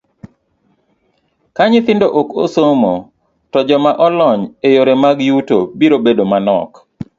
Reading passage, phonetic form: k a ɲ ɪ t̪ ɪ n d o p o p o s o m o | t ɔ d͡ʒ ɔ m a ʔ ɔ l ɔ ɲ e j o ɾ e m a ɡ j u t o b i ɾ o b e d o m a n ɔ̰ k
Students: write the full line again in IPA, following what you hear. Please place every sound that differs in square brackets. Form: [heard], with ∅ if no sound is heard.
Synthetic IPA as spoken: k a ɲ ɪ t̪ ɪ n d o [ʔ] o [k] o s o m o | t ɔ d͡ʒ ɔ m a ʔ ɔ l ɔ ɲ e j o ɾ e m a ɡ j u t o b i ɾ o b e d o m a n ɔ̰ k